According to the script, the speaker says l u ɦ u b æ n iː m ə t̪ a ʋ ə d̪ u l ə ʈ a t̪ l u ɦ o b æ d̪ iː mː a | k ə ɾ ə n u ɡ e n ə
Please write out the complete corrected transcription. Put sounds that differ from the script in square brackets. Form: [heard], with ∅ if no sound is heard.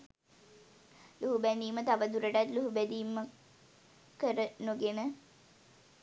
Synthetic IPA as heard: l u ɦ u b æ n iː m ə t̪ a ʋ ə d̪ u [ɾ] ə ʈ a t̪ l u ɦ [u] b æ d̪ iː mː [ə] | k ə ɾ ə n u ɡ e n ə